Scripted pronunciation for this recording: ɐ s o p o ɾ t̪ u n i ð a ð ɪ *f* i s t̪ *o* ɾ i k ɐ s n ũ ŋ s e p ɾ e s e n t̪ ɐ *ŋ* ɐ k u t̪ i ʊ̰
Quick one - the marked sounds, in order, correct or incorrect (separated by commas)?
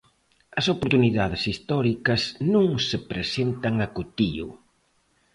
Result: incorrect, incorrect, correct